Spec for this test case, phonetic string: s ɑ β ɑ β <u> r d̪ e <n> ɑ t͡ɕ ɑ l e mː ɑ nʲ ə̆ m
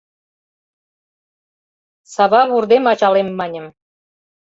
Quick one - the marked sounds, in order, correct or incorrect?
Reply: correct, incorrect: m

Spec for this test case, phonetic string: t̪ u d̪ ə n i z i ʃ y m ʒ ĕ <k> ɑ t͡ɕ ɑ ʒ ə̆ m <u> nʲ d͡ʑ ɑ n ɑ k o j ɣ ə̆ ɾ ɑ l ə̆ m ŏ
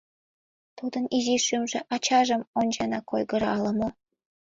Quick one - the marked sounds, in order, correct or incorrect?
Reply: incorrect: ʔ, incorrect: o

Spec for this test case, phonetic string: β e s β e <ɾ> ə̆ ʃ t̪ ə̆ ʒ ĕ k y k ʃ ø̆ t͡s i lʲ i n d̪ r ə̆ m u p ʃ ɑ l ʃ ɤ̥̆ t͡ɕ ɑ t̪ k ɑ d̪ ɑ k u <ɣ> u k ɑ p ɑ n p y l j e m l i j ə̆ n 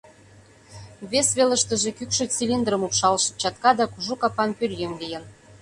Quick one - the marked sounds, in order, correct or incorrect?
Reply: incorrect: l, incorrect: ʒ

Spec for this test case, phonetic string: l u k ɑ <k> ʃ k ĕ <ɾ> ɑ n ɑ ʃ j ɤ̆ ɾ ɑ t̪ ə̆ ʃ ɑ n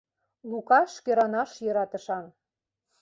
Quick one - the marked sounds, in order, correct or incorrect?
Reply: incorrect: none, correct

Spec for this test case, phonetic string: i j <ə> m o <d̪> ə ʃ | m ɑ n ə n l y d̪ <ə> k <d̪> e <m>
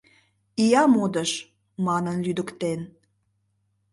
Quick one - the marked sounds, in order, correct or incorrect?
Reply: incorrect: ɑ, correct, correct, incorrect: t̪, incorrect: n

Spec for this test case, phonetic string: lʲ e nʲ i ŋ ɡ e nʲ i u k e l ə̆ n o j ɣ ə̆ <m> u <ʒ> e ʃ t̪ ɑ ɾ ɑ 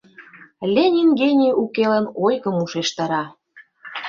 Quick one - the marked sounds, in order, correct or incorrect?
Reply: correct, incorrect: ʃ

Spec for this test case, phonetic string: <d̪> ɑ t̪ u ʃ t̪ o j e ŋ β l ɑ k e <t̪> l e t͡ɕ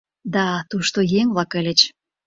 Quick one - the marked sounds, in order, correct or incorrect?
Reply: correct, incorrect: none

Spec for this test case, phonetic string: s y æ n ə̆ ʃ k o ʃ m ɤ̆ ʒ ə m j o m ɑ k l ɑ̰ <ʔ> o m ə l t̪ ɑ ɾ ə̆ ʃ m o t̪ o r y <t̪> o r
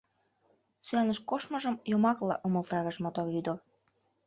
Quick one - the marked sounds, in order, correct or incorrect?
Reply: correct, incorrect: d̪

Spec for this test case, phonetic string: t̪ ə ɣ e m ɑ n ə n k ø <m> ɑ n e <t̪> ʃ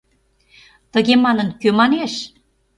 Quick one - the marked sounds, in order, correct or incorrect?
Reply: correct, incorrect: none

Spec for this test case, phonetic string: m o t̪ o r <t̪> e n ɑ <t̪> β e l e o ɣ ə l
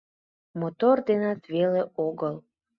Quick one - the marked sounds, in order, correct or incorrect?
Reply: incorrect: d̪, correct

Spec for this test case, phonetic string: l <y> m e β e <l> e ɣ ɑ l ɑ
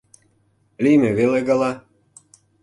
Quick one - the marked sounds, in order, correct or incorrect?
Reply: incorrect: i, correct

